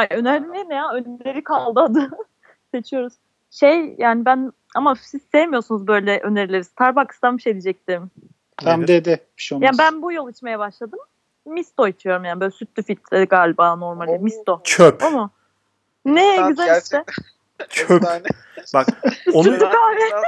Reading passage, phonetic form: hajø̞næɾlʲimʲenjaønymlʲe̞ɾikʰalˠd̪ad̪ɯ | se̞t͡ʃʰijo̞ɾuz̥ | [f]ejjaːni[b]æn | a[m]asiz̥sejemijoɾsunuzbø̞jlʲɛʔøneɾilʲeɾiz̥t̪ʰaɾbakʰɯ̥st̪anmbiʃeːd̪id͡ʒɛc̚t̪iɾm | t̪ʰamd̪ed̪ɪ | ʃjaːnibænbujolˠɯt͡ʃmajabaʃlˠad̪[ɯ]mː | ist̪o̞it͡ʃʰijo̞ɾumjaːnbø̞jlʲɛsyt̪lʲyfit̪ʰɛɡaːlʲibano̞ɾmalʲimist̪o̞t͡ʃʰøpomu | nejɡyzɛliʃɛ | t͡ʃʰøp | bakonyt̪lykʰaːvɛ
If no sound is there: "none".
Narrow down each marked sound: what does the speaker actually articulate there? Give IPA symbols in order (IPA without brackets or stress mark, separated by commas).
ʃ, b, m, ɯ